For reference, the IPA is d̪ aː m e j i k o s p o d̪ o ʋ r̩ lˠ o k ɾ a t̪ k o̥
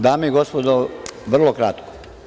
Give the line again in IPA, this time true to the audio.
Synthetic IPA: d̪ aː m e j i ɡ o s p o d̪ o ʋ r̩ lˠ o k ɾ a t̪ k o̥